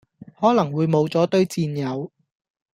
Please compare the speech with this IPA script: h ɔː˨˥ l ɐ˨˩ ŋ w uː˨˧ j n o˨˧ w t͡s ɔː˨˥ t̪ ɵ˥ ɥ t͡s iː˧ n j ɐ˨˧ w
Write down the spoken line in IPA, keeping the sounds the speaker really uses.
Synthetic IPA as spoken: h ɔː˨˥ l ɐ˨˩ ŋ w uː˨˧ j m o˨˧ w t͡s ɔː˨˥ t̪ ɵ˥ ɥ t͡s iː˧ n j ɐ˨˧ w